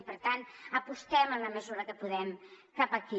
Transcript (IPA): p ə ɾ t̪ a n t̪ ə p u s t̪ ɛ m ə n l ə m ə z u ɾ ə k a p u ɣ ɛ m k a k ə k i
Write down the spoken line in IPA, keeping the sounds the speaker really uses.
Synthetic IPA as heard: p ə ɾ t̪ a n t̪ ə p u s t̪ ɛ m ə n l ə m ə z u ɾ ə k ə p u ð ɛ m k a p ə k i

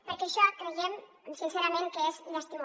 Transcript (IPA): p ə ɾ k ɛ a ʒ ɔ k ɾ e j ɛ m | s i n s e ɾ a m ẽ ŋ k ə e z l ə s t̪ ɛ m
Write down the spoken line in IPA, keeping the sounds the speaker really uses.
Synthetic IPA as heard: p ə ɾ k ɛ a ʃ ɔ k ɾ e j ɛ m | s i n s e ɾ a m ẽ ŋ k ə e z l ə s t̪ i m

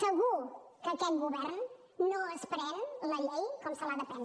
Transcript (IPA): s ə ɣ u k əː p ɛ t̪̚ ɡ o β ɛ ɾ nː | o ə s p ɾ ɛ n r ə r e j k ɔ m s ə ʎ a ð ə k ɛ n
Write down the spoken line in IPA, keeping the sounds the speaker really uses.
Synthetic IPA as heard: s ə ɣ u k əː k ɛ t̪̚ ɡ u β ɛ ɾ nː | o ə s p ɾ ɛ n l ə ʎ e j k ɔ m s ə l a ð ə p ɛ n

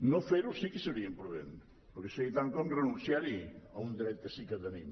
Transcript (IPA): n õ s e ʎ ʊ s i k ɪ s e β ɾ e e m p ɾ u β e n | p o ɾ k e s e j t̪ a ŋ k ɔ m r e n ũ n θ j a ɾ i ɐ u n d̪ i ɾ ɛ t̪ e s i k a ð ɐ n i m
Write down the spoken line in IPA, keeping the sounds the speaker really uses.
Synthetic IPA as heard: n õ f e ɾ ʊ s i k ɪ s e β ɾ i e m p ɾ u β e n | p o ɾ k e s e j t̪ a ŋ k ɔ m r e n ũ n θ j a ɾ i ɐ u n d̪ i ɾ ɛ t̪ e s i k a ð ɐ n i m

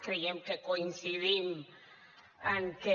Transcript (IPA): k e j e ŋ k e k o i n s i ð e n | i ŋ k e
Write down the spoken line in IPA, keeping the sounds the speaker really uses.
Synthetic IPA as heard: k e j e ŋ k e k o i n s i ð i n | a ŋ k e

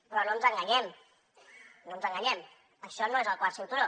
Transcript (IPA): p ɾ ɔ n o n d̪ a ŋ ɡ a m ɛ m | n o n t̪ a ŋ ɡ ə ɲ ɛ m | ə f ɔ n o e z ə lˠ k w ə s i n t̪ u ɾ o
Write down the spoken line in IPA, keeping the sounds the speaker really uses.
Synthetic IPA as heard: p ɾ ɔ n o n t̪ a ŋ ɡ a ɲ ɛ m | n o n t̪ a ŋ ɡ a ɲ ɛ m | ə ʃ ɔ n o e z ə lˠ k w a s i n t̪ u ɾ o

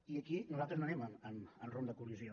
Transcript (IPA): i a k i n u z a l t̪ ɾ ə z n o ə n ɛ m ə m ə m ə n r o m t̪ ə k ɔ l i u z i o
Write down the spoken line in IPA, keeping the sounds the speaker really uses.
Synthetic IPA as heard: i ə k i n u z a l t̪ ɾ ə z n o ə n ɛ m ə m ə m ə n r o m d̪ ə k u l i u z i o

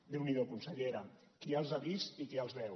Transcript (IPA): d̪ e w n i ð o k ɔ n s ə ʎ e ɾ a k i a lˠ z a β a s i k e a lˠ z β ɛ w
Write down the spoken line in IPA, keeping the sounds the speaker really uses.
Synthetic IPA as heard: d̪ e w n i ð o k u n s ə ʎ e ɾ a k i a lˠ z a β i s i k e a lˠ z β ɛ w

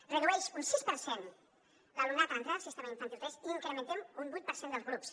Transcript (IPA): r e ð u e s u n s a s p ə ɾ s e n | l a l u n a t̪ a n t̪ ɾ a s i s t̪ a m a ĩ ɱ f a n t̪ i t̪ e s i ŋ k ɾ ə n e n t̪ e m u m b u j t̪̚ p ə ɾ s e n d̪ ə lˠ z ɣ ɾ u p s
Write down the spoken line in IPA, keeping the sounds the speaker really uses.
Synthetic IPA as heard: r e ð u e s u n s i s p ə ɾ s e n | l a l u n a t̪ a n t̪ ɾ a s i s t̪ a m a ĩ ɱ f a n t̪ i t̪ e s i ŋ k ɾ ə m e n t̪ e m u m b u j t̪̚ p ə ɾ s e n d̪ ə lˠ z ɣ ɾ u p s

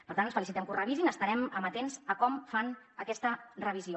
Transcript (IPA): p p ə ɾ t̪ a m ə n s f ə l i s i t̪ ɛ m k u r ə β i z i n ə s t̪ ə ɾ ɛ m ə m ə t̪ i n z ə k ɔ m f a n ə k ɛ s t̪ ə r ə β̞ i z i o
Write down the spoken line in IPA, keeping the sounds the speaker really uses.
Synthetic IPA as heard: p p ə ɾ t̪ a n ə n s f ə l i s i t̪ ɛ m k u r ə β i z i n ə s t̪ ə ɾ ɛ m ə m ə t̪ e n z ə k ɔ m f a n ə k ɛ s t̪ ə r ə β̞ i z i o

